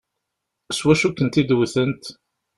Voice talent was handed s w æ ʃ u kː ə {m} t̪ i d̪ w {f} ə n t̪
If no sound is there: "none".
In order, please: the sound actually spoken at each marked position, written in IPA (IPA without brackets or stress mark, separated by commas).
n, θ